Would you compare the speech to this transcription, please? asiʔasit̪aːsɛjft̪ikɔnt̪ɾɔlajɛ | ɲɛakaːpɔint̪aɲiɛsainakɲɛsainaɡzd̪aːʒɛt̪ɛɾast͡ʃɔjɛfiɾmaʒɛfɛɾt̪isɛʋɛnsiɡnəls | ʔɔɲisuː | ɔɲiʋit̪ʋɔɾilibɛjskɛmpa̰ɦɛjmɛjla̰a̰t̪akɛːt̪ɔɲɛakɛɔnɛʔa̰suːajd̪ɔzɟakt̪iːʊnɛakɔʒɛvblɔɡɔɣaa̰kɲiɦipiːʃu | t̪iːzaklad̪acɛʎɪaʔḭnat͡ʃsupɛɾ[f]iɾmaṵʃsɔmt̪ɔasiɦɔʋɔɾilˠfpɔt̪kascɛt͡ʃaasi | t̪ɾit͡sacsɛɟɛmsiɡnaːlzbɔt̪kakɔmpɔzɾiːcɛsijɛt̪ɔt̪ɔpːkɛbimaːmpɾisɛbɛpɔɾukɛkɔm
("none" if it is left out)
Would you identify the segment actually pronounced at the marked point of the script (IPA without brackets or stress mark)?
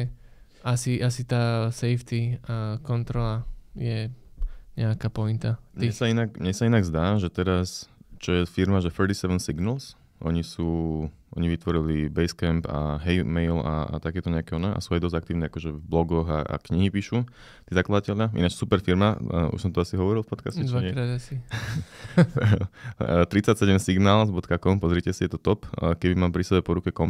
f